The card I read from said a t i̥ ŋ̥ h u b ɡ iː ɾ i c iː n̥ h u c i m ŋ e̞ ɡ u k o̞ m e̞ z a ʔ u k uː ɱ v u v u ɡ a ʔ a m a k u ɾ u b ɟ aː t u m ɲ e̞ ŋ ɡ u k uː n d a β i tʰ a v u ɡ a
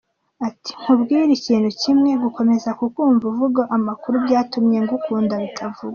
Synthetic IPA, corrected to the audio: a t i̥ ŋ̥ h u b ɡ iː ɾ i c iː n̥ h u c i m ŋ e̞ ɡ u k o̞ m e̞ z a k u k uː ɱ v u v u ɡ a ʔ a m a k u ɾ u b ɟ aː t u m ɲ e̞ ŋ ɡ u k uː n d a β i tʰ a v u ɡ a